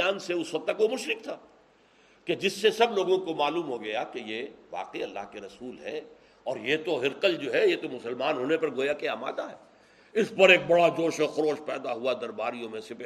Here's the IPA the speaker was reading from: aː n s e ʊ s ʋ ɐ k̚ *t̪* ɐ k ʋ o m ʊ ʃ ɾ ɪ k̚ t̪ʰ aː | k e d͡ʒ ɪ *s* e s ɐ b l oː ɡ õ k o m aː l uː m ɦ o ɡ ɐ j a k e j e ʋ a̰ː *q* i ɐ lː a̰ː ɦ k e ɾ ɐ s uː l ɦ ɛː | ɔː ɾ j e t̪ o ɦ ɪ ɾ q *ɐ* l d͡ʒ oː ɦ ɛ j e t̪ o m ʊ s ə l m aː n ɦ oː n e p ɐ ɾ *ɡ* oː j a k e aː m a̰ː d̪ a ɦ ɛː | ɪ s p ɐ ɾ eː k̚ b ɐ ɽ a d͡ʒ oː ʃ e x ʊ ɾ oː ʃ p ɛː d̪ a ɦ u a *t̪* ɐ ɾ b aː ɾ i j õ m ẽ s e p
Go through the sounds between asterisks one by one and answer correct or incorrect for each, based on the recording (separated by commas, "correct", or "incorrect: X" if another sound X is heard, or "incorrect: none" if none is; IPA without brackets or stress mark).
correct, incorrect: sː, correct, incorrect: ə, correct, incorrect: d̪